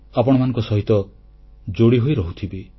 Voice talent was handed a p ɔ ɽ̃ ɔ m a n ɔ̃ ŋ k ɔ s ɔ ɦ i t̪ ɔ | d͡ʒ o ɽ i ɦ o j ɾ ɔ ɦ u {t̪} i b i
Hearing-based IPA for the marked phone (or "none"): t̪ʰ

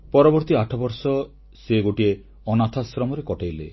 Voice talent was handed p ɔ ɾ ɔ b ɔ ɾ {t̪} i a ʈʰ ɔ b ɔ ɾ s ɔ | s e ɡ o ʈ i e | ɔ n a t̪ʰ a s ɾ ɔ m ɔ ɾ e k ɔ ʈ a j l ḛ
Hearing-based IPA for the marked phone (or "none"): t̪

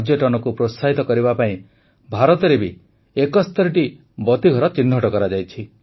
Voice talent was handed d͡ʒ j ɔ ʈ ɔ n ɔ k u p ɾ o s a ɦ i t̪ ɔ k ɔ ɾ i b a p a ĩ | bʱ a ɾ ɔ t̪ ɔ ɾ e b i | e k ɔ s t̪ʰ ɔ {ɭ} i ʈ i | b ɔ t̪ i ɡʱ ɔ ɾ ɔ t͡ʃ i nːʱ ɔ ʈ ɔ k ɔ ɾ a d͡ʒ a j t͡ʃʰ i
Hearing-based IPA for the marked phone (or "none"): ɾ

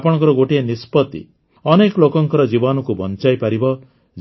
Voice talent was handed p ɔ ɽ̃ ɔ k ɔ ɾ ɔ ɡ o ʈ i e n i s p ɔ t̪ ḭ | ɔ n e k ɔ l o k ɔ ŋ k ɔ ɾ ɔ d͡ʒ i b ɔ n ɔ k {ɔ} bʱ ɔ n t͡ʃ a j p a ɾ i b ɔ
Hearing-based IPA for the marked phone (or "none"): u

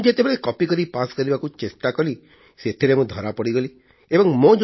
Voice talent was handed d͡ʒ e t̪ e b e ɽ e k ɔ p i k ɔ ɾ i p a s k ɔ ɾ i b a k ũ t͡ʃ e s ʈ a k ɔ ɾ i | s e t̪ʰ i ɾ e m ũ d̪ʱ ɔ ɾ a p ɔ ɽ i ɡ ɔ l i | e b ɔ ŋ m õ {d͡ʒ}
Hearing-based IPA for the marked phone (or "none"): d͡ʒ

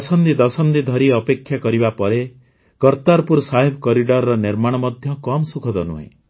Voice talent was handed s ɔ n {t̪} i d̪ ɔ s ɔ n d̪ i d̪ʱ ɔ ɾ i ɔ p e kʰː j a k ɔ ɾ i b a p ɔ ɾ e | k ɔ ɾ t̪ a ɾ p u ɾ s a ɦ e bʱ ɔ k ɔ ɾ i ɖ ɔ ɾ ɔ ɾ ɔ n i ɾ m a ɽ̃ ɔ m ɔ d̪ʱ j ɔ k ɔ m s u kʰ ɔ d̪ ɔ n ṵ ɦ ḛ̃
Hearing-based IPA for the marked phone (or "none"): d̪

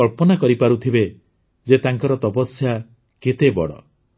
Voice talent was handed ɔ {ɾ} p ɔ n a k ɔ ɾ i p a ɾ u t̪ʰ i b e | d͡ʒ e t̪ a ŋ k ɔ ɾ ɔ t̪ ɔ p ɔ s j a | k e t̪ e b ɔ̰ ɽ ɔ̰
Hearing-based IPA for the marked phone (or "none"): ɭ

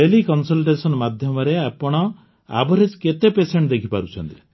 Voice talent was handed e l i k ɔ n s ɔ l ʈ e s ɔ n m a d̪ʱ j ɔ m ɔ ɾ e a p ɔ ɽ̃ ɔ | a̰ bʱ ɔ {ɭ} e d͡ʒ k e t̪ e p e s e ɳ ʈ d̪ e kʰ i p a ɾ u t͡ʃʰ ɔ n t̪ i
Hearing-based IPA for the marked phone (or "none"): ɾ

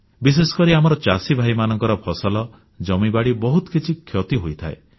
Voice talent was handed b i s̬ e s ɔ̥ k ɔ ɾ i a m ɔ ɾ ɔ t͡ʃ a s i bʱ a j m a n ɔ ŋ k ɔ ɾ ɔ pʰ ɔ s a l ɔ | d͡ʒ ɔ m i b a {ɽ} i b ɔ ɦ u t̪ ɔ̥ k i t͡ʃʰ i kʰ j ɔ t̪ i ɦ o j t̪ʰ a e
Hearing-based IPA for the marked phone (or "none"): ɽ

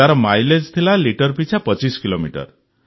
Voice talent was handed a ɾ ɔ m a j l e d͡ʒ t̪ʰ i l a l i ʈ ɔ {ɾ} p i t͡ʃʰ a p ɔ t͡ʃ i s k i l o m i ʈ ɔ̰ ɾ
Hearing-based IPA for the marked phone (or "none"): ɾ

